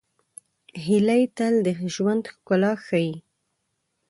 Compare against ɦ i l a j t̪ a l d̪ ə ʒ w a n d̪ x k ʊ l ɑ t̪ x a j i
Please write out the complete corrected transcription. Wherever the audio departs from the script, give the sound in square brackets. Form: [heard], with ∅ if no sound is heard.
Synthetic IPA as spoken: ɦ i l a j t̪ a l d̪ ə ʒ w a n d̪ x k ʊ l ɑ [∅] x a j i